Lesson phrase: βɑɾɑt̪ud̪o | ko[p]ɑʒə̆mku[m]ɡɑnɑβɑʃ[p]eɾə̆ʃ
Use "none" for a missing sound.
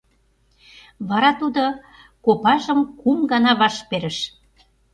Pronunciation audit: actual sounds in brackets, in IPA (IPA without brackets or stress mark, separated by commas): p, m, p